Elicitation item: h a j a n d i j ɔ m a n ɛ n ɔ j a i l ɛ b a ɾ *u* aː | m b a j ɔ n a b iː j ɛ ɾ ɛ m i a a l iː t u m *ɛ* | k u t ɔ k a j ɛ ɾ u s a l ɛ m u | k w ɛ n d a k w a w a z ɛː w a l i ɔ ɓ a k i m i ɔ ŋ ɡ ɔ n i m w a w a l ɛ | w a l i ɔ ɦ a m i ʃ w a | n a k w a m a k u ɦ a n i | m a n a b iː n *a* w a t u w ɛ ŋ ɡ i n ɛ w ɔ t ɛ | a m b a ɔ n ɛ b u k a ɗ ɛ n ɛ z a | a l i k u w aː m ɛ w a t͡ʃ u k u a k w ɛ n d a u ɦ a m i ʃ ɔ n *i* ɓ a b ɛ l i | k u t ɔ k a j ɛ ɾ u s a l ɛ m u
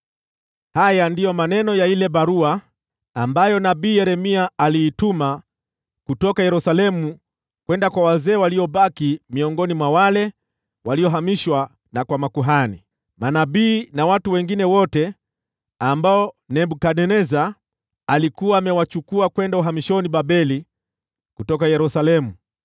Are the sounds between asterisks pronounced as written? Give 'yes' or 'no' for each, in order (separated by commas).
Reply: yes, no, yes, yes